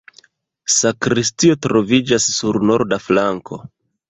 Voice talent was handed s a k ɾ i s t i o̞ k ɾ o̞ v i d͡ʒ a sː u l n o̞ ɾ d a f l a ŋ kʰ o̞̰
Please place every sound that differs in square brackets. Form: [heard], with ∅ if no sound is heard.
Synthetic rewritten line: s a k ɾ i s t i o̞ [t] ɾ o̞ v i d͡ʒ a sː u [ɾ] n o̞ ɾ d a f l a ŋ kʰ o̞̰